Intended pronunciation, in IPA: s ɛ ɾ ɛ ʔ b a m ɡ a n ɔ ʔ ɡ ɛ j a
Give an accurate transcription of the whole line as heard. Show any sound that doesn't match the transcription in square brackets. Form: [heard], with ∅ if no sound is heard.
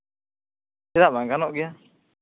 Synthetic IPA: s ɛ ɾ [a] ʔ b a [ŋ] ɡ a n ɔ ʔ ɡ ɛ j a